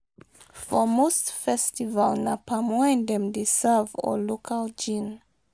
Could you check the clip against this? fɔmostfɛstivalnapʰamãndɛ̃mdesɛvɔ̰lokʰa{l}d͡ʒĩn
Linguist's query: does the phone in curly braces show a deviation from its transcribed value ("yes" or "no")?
no